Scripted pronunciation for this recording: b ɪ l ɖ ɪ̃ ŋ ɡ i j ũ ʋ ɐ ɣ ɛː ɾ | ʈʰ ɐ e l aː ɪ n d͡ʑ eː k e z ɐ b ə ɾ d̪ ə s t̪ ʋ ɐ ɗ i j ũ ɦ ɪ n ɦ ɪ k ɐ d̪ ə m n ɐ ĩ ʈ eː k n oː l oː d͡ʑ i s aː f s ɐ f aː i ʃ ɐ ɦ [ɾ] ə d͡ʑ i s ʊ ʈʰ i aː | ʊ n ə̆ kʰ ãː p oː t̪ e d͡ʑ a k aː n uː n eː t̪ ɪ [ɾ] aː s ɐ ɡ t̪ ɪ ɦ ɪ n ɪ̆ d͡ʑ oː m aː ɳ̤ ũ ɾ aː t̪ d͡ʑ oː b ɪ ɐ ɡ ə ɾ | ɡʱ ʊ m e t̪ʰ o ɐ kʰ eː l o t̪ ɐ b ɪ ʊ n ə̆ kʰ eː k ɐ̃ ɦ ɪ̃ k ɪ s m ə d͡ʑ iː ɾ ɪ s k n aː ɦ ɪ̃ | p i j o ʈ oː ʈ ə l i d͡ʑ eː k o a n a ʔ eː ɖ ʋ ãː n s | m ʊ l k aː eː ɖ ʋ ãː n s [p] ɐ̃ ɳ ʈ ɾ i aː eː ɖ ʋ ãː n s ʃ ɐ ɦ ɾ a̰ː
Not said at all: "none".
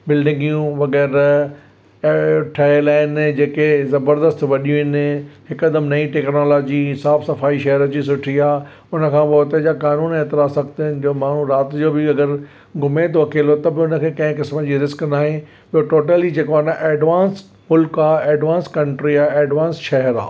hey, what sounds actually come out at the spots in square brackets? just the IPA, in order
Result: ɾ, ɾ, k

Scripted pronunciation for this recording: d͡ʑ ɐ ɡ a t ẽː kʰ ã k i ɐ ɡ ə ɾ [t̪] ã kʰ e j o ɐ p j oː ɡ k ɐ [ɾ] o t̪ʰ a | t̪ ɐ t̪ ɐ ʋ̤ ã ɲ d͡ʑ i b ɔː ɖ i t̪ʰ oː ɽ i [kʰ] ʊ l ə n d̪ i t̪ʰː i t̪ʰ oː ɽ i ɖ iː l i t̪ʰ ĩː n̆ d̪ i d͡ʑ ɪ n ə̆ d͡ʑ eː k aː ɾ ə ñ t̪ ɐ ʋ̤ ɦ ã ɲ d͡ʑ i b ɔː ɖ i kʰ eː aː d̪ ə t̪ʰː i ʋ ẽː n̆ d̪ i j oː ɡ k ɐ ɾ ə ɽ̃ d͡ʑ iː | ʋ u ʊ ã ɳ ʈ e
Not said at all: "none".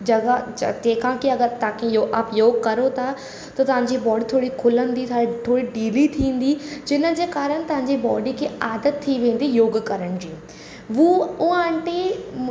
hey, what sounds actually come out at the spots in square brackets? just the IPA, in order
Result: t̪, ɾ, kʰ

